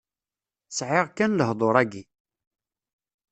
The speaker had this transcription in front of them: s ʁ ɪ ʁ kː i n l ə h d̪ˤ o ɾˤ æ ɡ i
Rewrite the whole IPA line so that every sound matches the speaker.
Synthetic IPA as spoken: s ʕ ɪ ʁ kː æ n l ə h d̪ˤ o ɾˤ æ ɡ i